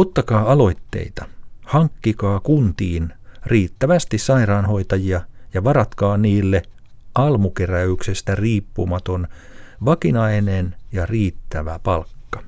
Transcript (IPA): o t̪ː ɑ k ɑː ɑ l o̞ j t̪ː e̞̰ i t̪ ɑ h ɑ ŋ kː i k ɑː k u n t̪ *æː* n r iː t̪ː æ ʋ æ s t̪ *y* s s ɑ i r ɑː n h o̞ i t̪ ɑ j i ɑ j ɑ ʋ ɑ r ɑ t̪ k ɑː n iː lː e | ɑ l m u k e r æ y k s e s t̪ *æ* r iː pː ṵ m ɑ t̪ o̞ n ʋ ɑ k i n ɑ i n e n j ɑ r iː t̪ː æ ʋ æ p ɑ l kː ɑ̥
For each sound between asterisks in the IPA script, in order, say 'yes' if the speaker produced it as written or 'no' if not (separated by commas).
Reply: no, no, yes